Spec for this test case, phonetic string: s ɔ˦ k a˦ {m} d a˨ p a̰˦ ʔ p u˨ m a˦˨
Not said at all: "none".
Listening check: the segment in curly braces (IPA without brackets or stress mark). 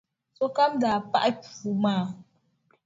m